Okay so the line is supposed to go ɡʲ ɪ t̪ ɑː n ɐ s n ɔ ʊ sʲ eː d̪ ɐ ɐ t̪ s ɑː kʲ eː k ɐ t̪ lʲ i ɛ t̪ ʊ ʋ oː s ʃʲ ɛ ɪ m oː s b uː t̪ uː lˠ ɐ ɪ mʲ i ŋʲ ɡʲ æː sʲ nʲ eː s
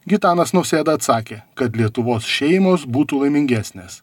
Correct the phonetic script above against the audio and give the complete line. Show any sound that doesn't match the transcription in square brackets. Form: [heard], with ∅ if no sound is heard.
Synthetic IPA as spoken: ɡʲ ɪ t̪ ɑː n ɐ s n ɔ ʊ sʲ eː d̪ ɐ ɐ t̪ s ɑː kʲ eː k ɐ t̪ lʲ i ɛ t̪ ʊ ʋ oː s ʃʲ ɛ ɪ m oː s b uː t̪ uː lˠ ɐ ɪ mʲ [ɪ] ŋʲ ɡʲ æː sʲ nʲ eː s